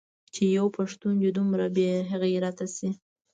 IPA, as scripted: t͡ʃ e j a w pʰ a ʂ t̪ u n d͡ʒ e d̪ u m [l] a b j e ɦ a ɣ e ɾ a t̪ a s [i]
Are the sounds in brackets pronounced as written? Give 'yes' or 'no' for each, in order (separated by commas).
no, yes